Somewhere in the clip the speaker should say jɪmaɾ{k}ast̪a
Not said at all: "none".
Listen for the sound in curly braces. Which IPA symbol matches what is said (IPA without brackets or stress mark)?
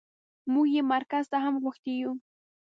k